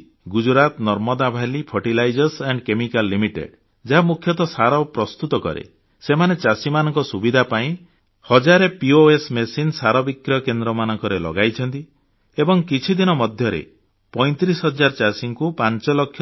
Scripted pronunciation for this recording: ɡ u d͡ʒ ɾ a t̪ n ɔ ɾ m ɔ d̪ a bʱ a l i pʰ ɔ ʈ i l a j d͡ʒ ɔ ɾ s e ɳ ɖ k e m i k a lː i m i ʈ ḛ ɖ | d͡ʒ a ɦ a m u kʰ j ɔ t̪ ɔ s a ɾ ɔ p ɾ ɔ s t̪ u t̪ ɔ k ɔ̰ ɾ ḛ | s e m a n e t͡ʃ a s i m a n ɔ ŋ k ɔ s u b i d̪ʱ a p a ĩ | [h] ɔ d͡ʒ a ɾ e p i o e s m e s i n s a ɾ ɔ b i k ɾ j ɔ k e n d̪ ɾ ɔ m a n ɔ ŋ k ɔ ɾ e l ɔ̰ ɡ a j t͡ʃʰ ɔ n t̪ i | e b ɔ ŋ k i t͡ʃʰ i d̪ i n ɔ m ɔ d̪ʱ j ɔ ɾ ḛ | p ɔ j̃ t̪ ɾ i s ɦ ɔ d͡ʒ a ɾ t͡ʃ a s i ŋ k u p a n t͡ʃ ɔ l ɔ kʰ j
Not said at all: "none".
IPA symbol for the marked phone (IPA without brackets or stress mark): h